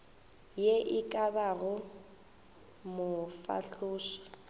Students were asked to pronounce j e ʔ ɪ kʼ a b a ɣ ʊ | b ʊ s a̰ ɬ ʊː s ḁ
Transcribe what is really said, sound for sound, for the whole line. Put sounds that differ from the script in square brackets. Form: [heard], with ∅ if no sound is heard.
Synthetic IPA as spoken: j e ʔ ɪ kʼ a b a ɣ ʊ | [m] ʊ [f] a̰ ɬ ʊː [ʃ] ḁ